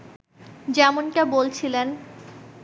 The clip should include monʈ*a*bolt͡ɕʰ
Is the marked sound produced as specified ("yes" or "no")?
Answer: yes